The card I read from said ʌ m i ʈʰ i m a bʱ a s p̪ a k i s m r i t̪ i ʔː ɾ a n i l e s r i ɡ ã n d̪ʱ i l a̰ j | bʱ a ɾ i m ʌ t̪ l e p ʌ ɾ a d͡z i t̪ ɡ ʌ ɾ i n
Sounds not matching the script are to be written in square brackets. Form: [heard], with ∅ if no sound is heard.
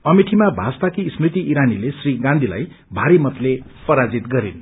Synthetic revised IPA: ʌ m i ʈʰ i m a bʱ a s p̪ a k i s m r i t̪ i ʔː ɾ a n i l e s r i ɡ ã n d̪ʱ i l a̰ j | bʱ a ɾ i m ʌ t̪ l e p ʌ ɾ a d͡z i t̪ ɡ ʌ ɾ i n